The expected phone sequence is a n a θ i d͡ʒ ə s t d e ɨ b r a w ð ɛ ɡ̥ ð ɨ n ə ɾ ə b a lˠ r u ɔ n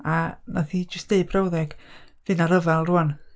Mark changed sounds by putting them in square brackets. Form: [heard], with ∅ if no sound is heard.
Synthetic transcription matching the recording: a n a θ i d͡ʒ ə s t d e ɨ b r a w ð ɛ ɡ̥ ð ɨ n [a] ɾ ə [v] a lˠ r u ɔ n